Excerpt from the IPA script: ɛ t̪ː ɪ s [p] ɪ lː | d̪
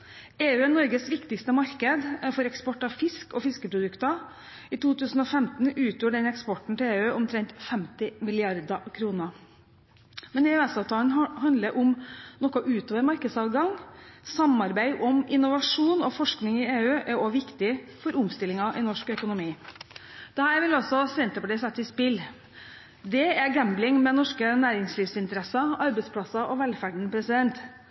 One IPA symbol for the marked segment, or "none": p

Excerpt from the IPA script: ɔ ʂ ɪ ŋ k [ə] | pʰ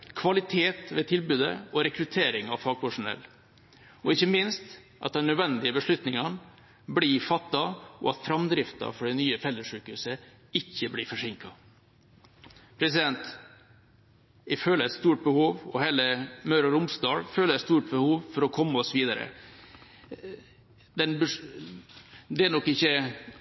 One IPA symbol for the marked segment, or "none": ɑ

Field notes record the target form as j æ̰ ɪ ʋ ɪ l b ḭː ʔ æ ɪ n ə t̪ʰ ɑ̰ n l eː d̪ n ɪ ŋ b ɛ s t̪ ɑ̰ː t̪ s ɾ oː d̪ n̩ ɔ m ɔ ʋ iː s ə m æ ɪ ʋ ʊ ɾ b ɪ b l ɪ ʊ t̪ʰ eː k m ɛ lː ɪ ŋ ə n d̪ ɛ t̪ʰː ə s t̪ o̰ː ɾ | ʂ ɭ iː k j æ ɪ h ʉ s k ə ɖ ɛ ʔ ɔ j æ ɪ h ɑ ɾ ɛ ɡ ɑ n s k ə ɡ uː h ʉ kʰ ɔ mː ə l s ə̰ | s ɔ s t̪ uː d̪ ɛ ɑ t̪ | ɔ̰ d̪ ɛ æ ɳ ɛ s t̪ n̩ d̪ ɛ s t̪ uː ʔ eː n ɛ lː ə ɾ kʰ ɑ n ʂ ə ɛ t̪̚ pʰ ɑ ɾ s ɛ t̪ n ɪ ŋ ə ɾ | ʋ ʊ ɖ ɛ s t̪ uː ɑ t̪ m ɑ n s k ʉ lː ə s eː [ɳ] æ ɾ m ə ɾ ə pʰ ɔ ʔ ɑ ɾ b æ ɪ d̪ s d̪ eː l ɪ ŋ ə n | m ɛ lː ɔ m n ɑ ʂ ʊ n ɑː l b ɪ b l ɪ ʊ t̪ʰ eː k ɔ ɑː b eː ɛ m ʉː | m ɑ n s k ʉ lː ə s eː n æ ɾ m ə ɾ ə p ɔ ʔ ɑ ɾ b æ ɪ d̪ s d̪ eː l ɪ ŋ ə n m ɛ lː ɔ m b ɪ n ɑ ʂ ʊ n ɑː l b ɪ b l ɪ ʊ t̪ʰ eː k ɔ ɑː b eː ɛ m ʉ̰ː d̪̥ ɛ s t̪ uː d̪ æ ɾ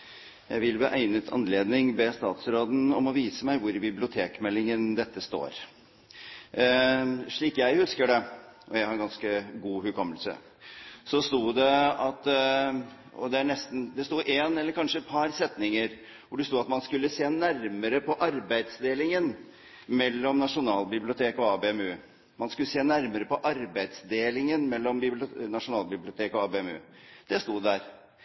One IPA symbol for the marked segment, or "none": n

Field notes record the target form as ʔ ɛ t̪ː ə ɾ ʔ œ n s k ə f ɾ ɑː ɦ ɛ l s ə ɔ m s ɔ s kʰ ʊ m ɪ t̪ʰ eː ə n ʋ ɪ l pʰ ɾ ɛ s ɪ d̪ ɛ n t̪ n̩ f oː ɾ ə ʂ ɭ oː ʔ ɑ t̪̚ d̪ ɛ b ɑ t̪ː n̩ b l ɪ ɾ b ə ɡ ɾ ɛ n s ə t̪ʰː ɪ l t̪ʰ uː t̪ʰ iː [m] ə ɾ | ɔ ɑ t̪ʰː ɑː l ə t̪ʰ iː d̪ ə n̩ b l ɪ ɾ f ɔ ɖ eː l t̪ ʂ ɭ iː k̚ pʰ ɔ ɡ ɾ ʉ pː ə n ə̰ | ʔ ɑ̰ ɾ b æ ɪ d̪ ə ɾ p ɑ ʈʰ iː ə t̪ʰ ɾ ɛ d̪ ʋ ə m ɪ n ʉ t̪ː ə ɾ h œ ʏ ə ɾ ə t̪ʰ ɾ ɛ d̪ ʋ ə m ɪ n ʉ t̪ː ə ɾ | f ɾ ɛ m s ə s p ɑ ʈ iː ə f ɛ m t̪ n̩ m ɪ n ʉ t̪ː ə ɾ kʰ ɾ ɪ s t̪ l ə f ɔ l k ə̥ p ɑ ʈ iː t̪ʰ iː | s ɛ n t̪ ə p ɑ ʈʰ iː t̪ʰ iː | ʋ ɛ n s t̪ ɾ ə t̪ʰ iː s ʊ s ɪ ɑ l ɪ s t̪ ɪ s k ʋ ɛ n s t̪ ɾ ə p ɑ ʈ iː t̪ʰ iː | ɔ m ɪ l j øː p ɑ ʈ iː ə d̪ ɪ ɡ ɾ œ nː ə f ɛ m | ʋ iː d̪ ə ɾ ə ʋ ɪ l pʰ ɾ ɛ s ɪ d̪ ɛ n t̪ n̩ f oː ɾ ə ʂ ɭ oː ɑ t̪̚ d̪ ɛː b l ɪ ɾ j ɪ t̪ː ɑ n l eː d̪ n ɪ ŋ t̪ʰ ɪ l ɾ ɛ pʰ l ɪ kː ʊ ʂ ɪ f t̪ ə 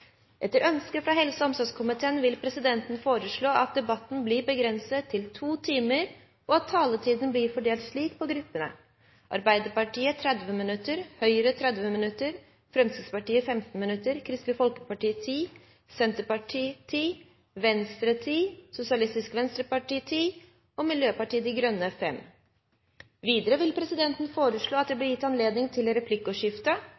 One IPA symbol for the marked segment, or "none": m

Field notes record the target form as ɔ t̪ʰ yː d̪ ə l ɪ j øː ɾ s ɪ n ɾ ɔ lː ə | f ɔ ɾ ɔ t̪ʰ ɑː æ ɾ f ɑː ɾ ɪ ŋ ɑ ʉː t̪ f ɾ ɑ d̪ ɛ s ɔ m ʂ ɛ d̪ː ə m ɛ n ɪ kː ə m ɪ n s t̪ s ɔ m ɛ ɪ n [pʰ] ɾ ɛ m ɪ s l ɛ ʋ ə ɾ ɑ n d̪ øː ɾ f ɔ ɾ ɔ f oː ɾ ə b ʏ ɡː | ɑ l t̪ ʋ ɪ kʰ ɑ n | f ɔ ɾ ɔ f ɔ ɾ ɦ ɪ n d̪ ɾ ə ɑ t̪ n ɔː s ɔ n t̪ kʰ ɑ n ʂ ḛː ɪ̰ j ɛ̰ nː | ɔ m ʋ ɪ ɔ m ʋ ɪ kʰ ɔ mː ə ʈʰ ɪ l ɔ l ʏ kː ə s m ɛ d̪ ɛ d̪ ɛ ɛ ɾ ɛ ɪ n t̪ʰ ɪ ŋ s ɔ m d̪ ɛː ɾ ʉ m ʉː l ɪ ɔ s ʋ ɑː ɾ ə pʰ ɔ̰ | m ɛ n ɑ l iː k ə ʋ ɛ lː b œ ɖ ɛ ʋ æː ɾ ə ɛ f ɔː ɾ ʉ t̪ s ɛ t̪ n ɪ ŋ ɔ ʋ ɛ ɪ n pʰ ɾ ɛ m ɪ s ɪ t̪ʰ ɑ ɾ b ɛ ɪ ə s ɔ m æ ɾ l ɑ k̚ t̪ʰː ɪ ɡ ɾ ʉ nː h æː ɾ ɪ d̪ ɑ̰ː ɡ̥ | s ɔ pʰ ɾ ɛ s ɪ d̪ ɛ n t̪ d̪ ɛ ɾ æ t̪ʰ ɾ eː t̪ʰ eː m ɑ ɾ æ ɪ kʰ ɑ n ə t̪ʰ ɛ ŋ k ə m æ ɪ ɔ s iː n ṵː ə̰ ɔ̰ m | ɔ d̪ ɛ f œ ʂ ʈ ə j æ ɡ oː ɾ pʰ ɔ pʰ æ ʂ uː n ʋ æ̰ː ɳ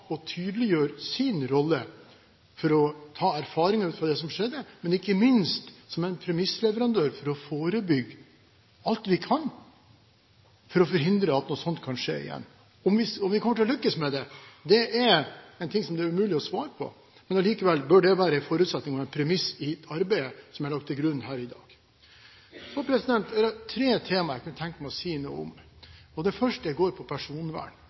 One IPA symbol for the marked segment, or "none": pʰ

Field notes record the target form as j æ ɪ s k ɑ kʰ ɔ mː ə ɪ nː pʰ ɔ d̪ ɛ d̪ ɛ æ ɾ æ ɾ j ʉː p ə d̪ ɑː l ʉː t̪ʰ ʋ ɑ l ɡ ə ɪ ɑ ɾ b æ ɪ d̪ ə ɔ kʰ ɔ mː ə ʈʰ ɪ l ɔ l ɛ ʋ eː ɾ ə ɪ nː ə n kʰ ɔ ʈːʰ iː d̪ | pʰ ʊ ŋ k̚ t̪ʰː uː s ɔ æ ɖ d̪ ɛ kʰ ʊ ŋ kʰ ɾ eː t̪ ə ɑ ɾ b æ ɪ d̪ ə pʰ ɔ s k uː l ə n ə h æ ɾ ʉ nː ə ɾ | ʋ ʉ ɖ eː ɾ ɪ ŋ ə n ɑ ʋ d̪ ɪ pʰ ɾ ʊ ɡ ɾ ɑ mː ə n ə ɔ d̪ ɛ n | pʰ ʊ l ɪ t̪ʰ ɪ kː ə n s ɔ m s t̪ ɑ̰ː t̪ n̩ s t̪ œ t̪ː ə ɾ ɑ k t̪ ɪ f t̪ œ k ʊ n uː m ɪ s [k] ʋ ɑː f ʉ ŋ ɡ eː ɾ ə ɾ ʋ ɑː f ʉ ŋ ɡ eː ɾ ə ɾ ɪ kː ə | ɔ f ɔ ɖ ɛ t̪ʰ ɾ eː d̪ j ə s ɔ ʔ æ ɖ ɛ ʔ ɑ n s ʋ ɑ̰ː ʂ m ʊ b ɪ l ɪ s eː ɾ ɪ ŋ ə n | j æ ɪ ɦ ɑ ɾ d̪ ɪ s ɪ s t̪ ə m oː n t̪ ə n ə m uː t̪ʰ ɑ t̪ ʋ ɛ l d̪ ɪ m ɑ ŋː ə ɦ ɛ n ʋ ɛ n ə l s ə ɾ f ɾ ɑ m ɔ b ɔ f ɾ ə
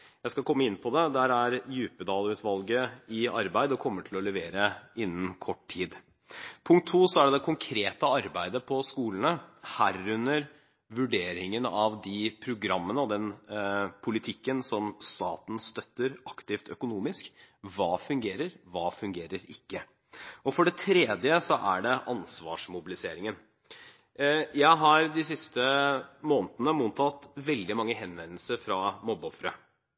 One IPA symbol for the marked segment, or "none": k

